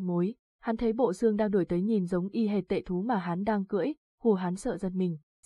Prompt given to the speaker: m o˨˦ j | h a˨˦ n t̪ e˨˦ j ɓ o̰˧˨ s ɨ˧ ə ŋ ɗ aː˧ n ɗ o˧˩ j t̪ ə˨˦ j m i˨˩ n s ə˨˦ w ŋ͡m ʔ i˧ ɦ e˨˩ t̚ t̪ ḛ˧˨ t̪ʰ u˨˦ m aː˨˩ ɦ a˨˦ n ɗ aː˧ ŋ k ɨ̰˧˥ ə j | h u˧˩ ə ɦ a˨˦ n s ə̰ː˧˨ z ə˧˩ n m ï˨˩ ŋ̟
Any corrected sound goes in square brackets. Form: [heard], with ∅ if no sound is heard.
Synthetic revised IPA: m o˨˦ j | h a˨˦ n [t̪ʰ] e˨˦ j ɓ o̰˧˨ s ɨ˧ ə ŋ ɗ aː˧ [ŋ] ɗ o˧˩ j t̪ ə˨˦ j [ɲ] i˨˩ n [z] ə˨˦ w ŋ͡m ʔ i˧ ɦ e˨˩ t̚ t̪ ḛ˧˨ t̪ʰ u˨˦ m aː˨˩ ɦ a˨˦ n ɗ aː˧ ŋ k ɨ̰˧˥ ə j | h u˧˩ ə ɦ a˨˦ n s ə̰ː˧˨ z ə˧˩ n m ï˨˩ ŋ̟